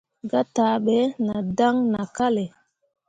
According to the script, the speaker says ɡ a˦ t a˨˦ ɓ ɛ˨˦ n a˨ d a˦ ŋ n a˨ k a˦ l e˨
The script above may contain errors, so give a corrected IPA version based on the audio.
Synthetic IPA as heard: ɡ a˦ t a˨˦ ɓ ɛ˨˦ n a˨ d a˦ ŋ n a˨ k a˦ l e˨